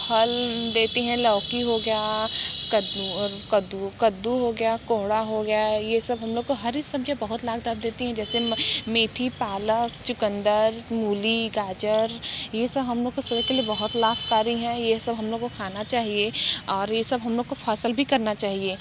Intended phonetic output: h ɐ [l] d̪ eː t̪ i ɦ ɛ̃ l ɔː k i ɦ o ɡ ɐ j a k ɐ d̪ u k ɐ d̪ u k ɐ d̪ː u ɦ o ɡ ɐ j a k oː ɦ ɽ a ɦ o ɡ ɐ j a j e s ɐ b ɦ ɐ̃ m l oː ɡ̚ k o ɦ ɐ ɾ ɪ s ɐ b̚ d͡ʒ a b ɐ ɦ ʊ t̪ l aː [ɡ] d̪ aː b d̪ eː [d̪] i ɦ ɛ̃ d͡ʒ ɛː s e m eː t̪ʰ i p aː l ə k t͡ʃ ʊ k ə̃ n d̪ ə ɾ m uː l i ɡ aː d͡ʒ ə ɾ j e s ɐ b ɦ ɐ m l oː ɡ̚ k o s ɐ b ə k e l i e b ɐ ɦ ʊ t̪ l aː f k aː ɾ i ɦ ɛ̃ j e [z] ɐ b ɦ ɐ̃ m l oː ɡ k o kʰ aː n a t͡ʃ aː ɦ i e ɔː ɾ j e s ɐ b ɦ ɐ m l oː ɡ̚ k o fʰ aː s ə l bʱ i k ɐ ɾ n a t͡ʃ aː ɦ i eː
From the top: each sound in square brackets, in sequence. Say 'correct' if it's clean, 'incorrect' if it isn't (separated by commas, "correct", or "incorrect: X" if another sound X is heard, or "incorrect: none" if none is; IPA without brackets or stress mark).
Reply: correct, correct, incorrect: t̪, incorrect: s